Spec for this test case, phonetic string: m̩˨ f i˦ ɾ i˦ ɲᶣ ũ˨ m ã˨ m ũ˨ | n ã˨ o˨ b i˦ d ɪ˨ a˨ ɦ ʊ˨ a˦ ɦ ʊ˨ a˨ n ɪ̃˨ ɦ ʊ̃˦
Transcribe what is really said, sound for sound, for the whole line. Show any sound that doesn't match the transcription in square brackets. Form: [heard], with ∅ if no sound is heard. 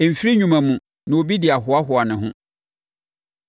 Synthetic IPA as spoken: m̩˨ f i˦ ɾ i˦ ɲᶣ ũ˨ m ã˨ m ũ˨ | n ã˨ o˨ b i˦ d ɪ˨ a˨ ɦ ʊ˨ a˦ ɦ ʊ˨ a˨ n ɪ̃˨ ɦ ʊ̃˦